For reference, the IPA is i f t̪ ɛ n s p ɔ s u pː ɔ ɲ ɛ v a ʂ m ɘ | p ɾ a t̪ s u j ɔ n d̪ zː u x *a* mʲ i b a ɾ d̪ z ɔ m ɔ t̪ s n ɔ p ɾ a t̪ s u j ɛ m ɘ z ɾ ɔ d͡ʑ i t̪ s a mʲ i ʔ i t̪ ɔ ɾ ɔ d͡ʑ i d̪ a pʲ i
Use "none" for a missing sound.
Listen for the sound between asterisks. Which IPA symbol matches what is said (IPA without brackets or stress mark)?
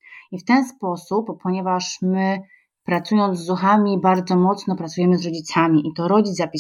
a